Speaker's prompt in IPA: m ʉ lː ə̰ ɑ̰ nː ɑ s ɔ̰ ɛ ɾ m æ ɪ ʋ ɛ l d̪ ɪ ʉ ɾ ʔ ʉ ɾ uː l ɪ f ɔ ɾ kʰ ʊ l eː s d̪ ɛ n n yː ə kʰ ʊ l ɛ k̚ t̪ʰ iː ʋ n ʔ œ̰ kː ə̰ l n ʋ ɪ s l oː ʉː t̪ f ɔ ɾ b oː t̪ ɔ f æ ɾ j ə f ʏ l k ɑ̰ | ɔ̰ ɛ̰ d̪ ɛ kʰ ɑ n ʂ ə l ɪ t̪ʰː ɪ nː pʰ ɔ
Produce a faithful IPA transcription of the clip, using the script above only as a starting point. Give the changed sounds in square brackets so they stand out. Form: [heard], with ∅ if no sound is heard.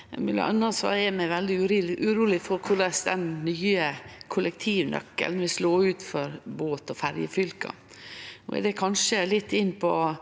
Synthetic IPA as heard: m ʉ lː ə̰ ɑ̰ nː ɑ s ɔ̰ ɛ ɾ m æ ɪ ʋ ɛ l d̪ ɪ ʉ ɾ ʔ ʉ ɾ uː l ɪ f ɔ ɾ kʰ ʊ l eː s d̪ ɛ n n yː ə kʰ ʊ l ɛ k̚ t̪ʰ iː ʋ n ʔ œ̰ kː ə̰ l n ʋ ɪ s l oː ʉː t̪ f ɔ ɾ b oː t̪ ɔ f æ ɾ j ə f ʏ l k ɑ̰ | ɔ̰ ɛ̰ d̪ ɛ kʰ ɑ n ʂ ə l ɪ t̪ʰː ɪ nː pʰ ɔ